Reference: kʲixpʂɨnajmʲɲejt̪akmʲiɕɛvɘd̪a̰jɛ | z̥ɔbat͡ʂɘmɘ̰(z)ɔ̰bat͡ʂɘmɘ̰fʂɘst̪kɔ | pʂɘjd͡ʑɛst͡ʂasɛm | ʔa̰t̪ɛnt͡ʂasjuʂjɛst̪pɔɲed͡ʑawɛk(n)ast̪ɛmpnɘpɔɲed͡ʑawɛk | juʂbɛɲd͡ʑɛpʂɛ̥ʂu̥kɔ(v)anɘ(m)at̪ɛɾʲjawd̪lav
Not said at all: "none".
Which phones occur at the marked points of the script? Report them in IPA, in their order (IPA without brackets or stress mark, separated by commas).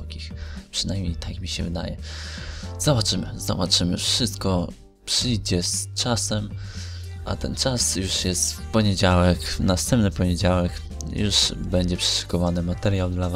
z, n, v, m